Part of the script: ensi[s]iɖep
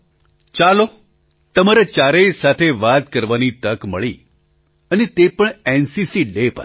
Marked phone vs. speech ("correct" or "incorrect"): correct